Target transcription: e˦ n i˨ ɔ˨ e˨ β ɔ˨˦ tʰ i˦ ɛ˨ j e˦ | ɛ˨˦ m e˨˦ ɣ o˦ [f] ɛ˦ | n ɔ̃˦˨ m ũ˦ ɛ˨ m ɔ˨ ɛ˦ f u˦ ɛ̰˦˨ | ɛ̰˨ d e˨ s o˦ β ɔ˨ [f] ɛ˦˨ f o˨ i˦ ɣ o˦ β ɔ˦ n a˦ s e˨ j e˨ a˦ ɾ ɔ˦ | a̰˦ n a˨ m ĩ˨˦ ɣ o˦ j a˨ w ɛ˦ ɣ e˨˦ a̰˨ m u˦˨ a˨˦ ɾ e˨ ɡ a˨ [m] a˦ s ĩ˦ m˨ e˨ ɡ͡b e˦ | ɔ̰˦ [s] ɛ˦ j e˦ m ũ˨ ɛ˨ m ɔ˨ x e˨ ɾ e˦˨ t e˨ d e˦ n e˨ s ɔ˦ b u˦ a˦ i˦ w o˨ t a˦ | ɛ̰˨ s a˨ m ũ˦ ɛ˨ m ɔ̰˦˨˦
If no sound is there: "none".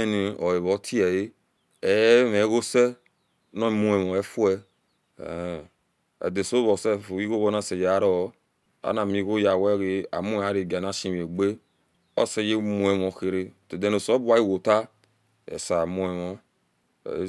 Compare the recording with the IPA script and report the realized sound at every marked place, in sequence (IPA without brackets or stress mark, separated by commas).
s, s, n, s